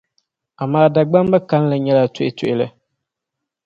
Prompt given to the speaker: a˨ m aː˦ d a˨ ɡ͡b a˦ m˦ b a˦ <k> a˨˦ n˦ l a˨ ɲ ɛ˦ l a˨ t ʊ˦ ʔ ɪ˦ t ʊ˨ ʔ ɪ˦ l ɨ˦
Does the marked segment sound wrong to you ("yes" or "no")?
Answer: no